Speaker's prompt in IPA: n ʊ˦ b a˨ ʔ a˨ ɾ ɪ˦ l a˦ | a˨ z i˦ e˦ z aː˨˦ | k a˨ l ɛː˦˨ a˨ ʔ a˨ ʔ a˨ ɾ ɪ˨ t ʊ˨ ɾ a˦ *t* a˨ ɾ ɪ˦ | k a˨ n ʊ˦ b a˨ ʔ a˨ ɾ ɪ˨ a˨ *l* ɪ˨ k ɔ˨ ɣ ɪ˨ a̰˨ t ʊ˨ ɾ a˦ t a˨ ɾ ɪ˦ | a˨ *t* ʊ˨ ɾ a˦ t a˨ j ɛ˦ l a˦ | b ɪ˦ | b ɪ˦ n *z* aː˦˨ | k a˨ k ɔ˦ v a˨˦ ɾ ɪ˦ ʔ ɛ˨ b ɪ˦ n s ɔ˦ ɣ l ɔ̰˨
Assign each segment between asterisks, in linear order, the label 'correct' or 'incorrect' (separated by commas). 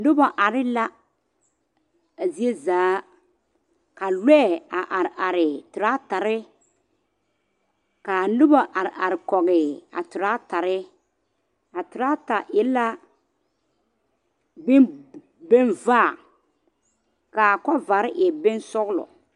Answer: correct, incorrect, correct, incorrect